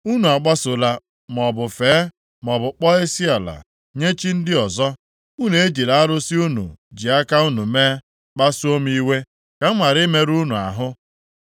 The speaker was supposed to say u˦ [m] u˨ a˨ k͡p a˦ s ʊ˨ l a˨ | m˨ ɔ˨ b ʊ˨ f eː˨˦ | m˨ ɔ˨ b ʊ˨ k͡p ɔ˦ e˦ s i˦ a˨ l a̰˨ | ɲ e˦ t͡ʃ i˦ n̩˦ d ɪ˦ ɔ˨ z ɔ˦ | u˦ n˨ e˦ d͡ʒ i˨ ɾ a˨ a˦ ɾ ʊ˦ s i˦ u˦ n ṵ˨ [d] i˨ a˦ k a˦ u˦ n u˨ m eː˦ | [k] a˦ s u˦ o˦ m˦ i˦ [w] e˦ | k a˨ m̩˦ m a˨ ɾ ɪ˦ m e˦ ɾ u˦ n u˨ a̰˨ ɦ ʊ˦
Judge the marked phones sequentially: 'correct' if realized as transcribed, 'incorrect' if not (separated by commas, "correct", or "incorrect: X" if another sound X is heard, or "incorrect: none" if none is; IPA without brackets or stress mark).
incorrect: n, incorrect: d͡ʒ, incorrect: k͡p, correct